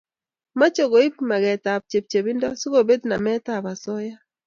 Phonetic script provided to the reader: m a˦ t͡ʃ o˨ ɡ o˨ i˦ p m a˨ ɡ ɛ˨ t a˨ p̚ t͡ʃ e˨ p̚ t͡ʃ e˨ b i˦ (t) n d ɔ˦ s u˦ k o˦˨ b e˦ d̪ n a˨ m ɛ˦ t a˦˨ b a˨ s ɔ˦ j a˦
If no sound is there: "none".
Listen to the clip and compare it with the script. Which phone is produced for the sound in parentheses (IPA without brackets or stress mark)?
none